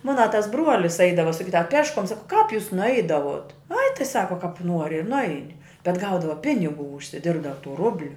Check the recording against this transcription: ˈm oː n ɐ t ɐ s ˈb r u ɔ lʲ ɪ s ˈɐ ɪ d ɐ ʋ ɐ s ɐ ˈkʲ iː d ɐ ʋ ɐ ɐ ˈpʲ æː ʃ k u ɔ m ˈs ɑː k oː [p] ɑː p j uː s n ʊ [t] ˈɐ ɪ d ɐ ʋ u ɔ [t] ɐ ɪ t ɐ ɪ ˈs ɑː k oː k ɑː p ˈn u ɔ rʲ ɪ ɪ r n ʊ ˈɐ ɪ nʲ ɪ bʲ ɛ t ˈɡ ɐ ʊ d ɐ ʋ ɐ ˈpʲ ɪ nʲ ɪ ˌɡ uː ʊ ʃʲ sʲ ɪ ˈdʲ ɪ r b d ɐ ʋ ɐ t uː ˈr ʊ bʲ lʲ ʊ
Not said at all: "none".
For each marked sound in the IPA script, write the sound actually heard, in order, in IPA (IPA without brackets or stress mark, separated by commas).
k, none, t